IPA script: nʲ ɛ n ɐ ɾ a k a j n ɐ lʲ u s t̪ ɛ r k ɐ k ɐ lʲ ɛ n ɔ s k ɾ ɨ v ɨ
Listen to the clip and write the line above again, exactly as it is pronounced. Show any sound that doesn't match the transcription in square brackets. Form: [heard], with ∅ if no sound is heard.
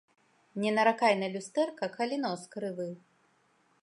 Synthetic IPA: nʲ ɛ n ɐ ɾ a k a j n ɐ lʲ u s t̪ ɛ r k ɐ k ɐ lʲ [i] n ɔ s k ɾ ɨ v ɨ